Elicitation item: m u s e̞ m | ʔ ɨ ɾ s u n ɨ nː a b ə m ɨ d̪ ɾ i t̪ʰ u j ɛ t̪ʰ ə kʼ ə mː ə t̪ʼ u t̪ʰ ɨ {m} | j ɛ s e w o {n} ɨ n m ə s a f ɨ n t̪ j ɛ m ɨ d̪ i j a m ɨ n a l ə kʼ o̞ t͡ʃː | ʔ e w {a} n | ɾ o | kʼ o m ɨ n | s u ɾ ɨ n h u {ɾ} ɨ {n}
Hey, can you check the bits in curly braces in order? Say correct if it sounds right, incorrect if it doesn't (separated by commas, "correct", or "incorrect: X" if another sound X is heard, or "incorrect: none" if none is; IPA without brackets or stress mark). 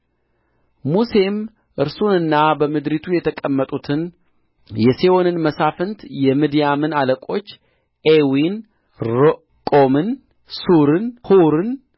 incorrect: n, correct, incorrect: i, correct, correct